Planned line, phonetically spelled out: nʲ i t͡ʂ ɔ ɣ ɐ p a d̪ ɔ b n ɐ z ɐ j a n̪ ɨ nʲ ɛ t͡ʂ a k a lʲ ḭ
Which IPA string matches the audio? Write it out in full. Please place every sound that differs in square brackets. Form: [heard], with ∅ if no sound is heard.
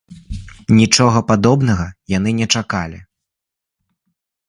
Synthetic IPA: nʲ i t͡ʂ ɔ ɣ ɐ p a d̪ ɔ b n ɐ [ɣ] ɐ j a n̪ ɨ nʲ ɛ t͡ʂ a k a lʲ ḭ

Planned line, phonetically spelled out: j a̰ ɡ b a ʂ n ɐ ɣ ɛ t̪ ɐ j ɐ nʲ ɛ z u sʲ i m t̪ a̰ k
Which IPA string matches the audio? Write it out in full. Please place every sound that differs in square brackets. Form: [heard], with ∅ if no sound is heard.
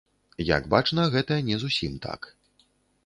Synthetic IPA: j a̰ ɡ b a [t͡ʂ] n ɐ ɣ ɛ t̪ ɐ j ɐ nʲ ɛ z u sʲ i m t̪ a̰ k

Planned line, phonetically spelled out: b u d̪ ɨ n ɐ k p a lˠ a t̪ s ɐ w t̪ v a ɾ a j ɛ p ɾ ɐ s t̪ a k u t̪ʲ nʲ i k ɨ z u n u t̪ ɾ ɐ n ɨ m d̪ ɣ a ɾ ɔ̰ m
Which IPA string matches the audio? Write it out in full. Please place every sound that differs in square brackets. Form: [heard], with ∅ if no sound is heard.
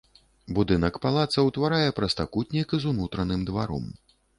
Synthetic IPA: b u d̪ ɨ n ɐ k p a lˠ a t̪ s ɐ w t̪ v a ɾ a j ɛ p ɾ ɐ s t̪ a k u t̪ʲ nʲ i k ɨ z u n u t̪ ɾ ɐ n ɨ m d̪ [v] a ɾ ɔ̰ m

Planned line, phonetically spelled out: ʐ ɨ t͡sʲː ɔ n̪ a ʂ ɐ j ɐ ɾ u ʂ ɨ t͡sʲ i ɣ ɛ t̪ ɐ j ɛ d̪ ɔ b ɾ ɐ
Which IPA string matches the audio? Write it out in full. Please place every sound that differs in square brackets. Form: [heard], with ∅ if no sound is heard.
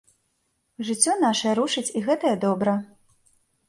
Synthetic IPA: ʐ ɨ t͡sʲː ɔ n̪ a ʂ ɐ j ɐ ɾ u ʂ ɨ t͡sʲ i ɣ ɛ t̪ ɐ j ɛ d̪ ɔ b ɾ ɐ

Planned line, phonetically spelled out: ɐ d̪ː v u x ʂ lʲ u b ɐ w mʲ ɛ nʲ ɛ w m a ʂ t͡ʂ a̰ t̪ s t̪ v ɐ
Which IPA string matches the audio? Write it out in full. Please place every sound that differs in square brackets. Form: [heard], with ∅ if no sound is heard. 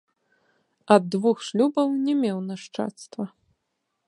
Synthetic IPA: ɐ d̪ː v u x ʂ lʲ u b ɐ w [nʲ] ɛ [mʲ] ɛ w [n] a ʂ t͡ʂ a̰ t̪ s t̪ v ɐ

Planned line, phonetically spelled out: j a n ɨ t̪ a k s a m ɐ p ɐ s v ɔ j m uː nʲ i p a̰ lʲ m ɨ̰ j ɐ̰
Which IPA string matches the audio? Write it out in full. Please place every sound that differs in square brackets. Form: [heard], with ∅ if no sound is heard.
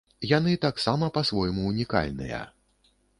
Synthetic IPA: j a n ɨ t̪ a k s a m ɐ p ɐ s v ɔ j m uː nʲ i [k] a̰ lʲ [n] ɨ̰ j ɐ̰

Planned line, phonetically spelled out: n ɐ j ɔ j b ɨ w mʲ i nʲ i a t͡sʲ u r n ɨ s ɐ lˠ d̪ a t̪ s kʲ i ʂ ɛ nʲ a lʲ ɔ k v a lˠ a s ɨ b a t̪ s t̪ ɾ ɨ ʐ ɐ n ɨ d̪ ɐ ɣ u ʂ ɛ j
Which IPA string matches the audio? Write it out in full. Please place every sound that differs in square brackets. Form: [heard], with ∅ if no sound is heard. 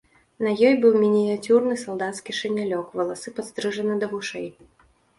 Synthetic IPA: n ɐ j ɔ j b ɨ w mʲ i nʲ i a t͡sʲ u r n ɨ s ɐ lˠ d̪ a t̪ s kʲ i ʂ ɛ nʲ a lʲ ɔ k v [ɐ] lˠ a s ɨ [p] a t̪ s t̪ ɾ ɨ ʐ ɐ n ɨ d̪ ɐ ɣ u ʂ ɛ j

